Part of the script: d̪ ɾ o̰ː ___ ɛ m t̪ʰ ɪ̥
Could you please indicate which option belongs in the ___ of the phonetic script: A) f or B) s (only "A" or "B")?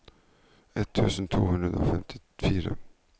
A